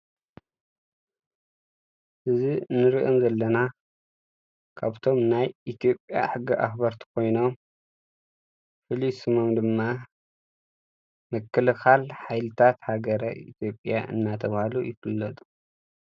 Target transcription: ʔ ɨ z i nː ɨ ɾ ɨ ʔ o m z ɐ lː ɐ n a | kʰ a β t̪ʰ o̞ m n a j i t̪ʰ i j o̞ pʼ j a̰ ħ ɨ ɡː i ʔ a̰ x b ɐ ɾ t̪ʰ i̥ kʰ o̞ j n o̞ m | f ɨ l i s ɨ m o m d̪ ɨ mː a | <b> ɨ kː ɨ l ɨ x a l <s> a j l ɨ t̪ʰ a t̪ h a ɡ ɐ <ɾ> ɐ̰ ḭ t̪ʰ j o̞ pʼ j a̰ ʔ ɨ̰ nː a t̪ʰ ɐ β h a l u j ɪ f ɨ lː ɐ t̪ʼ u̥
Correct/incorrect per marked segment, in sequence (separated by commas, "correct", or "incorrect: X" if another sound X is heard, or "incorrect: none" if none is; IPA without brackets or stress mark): incorrect: m, incorrect: ħ, correct